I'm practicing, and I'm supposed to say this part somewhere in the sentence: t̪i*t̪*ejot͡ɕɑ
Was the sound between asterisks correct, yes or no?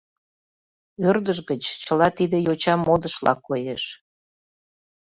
no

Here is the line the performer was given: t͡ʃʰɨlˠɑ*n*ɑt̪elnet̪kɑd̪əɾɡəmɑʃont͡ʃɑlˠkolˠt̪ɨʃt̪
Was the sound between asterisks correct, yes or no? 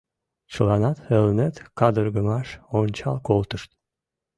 yes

